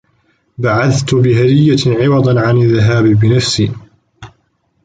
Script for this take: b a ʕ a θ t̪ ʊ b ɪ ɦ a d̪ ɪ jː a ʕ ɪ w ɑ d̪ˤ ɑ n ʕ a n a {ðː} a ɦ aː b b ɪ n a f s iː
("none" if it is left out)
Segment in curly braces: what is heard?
ðː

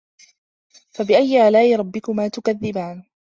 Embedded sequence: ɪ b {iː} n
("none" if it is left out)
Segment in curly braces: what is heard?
aː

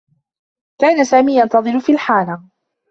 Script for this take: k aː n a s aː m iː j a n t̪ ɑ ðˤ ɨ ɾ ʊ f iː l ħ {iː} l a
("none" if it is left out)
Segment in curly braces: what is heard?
aː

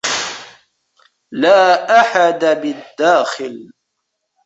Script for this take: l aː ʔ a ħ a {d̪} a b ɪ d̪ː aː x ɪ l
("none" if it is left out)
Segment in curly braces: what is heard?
d̪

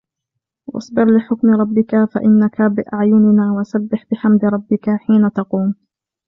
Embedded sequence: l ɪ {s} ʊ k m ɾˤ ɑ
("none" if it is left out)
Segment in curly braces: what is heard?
ħ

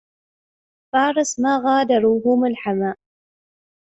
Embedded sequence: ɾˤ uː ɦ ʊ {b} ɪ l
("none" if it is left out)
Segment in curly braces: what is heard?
m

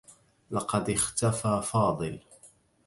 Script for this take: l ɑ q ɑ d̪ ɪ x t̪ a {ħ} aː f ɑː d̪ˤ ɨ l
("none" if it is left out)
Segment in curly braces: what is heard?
f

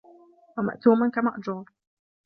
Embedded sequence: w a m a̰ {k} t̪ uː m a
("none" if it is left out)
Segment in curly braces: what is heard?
ʔ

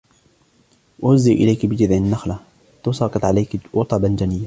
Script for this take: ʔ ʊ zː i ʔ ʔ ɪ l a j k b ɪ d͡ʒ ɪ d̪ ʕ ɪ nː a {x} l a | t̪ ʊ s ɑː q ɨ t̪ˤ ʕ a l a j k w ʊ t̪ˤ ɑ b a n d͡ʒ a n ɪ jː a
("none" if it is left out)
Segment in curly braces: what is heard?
x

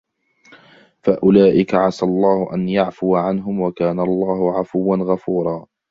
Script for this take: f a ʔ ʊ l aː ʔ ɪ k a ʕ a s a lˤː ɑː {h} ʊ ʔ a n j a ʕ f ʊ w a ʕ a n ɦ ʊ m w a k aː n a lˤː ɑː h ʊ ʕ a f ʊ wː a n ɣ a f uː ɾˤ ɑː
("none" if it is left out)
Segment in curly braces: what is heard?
h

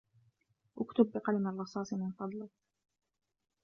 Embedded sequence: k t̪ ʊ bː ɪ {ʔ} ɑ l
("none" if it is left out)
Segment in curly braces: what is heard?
q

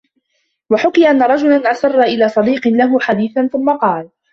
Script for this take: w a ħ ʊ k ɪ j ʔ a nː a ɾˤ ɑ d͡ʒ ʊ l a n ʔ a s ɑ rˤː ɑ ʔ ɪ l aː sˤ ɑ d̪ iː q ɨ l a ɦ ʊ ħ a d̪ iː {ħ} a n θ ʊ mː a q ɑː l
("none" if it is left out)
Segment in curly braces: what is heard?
θ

